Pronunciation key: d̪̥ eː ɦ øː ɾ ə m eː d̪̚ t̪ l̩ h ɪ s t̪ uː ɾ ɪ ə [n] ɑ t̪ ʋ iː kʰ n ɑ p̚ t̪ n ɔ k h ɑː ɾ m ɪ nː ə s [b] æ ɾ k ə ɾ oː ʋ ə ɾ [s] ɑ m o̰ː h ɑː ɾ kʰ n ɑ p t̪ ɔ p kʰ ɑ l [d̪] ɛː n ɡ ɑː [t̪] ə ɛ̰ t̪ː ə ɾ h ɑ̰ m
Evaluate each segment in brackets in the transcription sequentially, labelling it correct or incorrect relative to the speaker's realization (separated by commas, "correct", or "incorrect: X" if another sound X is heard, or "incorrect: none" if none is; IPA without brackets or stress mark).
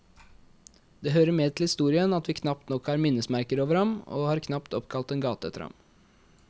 correct, incorrect: m, incorrect: h, incorrect: t̪, correct